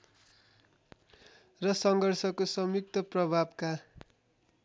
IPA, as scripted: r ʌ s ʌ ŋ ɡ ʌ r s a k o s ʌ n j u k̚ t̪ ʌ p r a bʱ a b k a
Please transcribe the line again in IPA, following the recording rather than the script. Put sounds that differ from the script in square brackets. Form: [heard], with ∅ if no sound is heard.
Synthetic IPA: r ʌ s ʌ ŋ ɡ ʌ r s [ʌ] k o s ʌ [m] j u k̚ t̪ ʌ p r [ʌ] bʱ a b k a